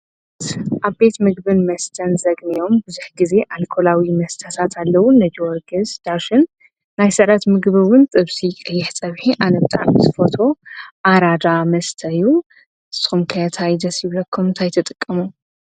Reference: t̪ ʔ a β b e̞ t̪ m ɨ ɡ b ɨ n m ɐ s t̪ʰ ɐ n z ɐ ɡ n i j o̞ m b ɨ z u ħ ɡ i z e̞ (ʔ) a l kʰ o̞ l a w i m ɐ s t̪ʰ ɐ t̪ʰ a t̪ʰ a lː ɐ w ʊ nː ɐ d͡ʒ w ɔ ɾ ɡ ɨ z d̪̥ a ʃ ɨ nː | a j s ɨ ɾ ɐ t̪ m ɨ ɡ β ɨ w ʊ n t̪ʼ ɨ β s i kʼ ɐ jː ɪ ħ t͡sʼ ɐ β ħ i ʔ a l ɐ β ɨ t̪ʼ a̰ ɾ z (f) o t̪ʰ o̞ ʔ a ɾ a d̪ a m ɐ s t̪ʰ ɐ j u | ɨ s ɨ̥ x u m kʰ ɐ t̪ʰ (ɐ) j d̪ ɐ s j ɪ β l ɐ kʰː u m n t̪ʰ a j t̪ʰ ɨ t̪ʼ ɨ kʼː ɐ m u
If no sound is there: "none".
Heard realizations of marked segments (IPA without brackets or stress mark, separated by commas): ʔ, f, a